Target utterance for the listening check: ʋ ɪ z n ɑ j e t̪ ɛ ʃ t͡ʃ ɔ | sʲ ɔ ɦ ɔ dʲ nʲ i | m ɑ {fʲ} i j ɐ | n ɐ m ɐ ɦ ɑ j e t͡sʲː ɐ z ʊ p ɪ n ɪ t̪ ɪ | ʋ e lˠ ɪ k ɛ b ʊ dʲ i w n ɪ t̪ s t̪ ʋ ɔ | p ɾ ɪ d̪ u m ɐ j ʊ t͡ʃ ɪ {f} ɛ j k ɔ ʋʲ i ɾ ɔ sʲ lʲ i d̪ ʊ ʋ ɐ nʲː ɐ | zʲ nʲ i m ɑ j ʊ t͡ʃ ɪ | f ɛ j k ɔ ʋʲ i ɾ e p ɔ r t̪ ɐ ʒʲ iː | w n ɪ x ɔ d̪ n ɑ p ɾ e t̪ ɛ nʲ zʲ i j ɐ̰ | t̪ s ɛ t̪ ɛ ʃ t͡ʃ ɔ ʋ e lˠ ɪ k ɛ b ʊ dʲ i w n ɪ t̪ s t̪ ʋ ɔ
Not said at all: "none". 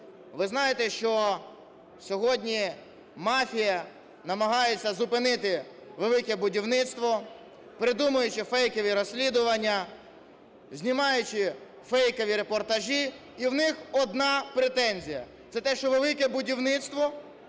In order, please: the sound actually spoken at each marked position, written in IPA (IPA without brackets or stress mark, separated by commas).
fʲ, f